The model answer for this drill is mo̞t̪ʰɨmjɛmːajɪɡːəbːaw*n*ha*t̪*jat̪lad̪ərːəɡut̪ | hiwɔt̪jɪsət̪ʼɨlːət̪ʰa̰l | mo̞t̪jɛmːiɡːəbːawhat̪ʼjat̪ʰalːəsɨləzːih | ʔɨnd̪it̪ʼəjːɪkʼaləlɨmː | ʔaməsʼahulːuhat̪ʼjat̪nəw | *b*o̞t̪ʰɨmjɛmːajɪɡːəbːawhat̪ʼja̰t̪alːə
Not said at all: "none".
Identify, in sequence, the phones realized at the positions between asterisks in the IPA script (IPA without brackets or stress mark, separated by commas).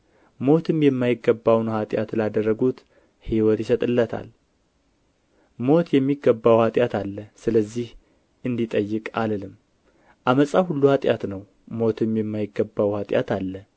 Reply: n, t̪ʼ, m